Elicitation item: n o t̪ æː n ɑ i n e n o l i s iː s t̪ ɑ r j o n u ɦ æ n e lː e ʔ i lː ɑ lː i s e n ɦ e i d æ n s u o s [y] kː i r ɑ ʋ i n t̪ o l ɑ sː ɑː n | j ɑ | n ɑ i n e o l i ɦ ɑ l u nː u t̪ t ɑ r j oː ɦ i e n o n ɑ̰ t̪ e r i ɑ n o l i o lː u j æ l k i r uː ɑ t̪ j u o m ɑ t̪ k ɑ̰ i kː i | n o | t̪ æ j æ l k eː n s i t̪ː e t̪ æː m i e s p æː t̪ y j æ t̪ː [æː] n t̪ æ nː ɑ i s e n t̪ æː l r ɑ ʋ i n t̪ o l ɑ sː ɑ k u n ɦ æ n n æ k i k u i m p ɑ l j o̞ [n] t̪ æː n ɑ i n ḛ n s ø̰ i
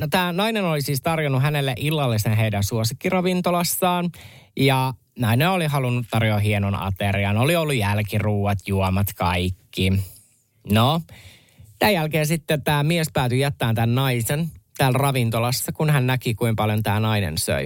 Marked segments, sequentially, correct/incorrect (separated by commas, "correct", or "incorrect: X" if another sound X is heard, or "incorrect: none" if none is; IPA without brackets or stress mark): incorrect: i, correct, correct